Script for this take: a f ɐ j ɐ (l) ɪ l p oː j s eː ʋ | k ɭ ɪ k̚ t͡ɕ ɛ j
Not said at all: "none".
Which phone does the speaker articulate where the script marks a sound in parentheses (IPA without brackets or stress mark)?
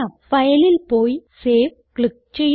l